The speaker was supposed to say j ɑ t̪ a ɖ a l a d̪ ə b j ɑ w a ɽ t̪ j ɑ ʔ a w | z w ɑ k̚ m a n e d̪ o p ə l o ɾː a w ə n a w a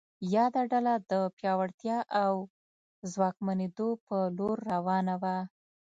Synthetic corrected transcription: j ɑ d̪ a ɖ a l a d̪ ə p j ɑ w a ɽ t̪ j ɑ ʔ a w | z w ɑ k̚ m a n e d̪ o p ə l o ɾː a w ɑ n a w a